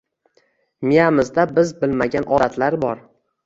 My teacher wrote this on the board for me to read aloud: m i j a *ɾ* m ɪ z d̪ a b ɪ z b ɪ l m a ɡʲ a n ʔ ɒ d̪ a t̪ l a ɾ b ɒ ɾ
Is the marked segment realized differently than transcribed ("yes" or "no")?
yes